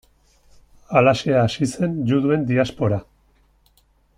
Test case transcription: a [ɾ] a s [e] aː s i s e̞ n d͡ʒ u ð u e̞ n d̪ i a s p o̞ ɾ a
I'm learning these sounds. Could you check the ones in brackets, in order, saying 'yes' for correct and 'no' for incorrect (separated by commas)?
no, yes